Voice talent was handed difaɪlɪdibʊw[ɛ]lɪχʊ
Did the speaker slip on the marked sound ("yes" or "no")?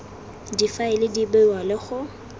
yes